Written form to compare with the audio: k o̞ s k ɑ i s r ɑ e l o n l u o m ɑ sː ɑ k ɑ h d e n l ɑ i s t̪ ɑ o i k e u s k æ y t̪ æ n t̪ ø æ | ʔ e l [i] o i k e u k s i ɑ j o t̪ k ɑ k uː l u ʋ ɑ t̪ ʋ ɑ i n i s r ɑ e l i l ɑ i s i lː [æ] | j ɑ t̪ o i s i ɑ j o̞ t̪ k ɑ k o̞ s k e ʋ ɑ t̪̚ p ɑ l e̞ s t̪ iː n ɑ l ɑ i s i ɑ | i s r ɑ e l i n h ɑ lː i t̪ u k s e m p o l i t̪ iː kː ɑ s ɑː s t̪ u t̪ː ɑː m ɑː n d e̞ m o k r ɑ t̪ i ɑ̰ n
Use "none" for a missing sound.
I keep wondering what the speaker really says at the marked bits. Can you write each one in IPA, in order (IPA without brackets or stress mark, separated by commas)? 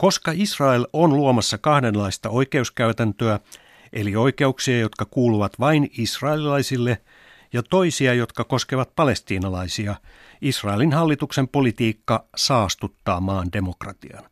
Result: i, e